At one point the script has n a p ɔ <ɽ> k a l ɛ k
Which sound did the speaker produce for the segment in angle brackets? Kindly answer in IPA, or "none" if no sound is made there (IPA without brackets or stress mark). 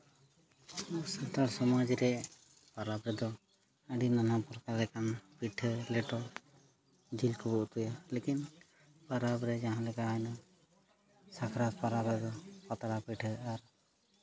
ɾ